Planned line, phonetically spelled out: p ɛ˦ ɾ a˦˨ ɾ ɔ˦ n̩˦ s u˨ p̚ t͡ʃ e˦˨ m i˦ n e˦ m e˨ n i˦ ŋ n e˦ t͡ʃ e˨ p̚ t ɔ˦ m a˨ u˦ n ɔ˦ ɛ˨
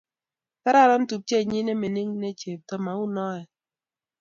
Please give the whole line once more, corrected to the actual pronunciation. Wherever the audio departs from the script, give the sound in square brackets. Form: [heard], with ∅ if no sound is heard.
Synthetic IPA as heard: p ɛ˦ ɾ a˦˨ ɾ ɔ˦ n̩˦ [t] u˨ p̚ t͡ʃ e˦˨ [ɲ] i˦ n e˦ m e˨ n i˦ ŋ n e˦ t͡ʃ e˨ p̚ t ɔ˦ m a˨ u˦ n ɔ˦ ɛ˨